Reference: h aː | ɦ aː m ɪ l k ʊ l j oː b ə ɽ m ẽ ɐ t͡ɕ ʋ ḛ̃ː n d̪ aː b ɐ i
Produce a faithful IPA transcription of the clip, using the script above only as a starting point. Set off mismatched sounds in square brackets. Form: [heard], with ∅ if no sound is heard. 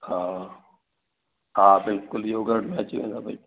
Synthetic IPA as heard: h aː | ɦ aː [b] ɪ l k ʊ l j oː [ɡ] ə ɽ m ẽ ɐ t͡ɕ ʋ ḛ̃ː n d̪ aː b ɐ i

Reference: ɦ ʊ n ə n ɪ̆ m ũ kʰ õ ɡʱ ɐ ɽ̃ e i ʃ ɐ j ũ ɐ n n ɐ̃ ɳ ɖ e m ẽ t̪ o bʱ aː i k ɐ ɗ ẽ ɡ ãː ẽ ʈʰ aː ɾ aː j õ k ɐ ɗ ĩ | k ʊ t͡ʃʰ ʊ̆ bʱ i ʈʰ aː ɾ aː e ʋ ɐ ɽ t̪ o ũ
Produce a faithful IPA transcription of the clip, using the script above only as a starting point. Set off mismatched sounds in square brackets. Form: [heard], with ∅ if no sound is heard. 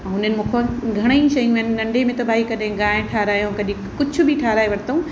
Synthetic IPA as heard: ɦ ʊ n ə n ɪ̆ m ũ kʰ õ ɡʱ ɐ ɽ̃ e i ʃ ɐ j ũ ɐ n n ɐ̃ ɳ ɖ e m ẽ t̪ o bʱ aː i k ɐ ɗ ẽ ɡ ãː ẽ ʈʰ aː ɾ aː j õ k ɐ ɗ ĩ | k ʊ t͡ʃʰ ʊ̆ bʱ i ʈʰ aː ɾ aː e ʋ ɐ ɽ t̪ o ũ

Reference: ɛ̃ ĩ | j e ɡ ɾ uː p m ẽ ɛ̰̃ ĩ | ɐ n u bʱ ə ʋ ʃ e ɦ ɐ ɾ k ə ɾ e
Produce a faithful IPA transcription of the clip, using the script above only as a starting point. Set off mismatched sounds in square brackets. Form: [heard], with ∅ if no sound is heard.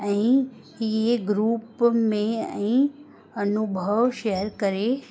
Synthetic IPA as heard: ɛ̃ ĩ | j e ɡ ɾ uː p m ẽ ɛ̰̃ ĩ | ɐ n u bʱ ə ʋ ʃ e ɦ [ə] ɾ k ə ɾ e

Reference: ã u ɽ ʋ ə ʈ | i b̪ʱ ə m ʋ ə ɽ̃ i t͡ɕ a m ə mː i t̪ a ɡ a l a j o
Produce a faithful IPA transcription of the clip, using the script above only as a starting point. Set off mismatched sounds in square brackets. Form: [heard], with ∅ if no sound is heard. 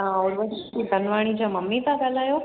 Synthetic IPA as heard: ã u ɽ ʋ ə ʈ | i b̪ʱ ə [n] ʋ [a] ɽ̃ i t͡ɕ a m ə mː i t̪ a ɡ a l a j o

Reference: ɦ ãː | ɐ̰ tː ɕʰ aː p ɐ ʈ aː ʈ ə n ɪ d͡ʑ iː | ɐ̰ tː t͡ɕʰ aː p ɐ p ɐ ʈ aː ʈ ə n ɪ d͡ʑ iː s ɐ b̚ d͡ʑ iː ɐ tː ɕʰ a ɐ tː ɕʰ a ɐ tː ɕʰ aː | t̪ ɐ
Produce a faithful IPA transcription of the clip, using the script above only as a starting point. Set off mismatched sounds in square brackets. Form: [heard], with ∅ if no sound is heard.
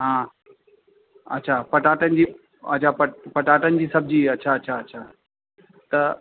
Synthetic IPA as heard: ɦ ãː | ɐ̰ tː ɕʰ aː p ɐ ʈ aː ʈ ə n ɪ d͡ʑ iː | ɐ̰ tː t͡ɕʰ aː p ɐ p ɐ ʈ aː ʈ ə n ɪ d͡ʑ iː s ɐ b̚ d͡ʑ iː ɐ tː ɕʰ a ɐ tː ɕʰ a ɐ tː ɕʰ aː | t̪ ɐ

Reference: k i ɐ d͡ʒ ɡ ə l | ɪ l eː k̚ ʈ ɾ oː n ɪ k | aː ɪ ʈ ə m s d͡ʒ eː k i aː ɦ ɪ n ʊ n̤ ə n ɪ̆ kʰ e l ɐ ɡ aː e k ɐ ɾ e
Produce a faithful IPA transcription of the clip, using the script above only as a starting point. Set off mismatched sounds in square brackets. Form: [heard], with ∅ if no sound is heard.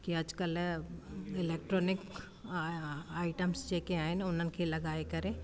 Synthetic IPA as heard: k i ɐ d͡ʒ [k] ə l | ɪ l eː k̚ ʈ ɾ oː n ɪ k | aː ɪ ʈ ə m s d͡ʒ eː k [e] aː ɦ ɪ n ʊ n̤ ə n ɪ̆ kʰ e l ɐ ɡ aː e k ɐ ɾ e

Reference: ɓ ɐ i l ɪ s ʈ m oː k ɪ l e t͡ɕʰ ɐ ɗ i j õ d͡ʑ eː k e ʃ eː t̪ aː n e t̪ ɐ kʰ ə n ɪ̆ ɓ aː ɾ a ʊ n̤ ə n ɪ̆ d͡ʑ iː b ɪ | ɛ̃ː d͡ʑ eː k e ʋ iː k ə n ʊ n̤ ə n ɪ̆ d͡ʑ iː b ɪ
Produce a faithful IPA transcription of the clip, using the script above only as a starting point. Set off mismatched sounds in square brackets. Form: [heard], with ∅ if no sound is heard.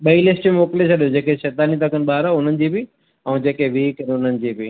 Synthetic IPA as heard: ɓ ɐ i l ɪ s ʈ m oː k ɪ l e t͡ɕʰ ɐ ɗ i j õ d͡ʑ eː k e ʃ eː t̪ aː n [i] t̪ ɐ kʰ ə n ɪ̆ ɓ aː ɾ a ʊ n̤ ə n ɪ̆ d͡ʑ iː b ɪ | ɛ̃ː d͡ʑ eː k e ʋ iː k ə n ʊ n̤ ə n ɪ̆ d͡ʑ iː b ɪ

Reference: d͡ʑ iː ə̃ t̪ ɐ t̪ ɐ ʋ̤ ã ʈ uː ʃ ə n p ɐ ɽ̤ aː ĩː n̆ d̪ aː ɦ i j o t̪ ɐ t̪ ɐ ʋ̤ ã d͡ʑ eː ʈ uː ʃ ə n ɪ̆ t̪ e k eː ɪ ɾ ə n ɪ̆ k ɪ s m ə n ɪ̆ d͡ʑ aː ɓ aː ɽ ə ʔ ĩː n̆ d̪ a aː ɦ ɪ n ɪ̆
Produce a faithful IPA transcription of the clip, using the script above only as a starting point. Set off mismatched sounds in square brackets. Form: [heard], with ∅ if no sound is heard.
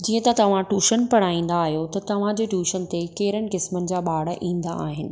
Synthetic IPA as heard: d͡ʑ iː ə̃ t̪ ɐ t̪ ɐ ʋ̤ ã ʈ uː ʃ ə n p ɐ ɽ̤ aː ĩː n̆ d̪ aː ɦ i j o t̪ ɐ t̪ ɐ ʋ̤ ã d͡ʑ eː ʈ uː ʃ ə n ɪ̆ t̪ e k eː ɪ ɾ ə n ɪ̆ k ɪ s m ə n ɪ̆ d͡ʑ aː ɓ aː ɽ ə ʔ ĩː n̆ d̪ a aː ɦ ɪ n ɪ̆

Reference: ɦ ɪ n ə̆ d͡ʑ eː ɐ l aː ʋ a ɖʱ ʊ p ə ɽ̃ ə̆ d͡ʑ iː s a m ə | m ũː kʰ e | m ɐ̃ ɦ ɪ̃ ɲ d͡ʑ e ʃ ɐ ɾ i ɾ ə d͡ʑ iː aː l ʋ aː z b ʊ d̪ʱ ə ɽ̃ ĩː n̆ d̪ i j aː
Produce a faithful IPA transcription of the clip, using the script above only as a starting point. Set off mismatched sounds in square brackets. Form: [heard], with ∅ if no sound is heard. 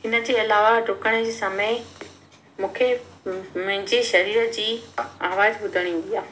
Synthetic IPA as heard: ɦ ɪ n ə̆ d͡ʑ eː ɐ l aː ʋ a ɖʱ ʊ [k] ə ɽ̃ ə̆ d͡ʑ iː s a m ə | m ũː kʰ e | m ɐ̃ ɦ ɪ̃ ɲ d͡ʑ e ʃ ɐ ɾ [iː] ɾ ə d͡ʑ iː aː [∅] ʋ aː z b ʊ d̪ʱ ə ɽ̃ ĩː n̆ d̪ i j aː

